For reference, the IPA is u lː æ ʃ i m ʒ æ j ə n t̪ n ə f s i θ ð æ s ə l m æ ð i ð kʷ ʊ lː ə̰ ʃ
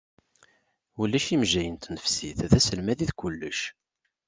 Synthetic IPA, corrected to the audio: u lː æ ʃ i m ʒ æ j ə n t̪ n ə f s i θ ð æ s ə l m æ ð i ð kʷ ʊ lː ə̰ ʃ